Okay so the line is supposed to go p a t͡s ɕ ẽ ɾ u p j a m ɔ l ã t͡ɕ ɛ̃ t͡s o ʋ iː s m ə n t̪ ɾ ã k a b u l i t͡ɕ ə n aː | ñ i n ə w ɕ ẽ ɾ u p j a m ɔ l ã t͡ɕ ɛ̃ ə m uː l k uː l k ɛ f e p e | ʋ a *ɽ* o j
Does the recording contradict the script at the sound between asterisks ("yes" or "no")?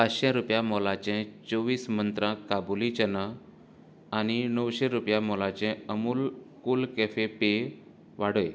no